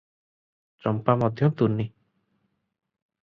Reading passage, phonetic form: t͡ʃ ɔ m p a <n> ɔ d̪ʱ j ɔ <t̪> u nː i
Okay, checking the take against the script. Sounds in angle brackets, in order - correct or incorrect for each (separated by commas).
incorrect, correct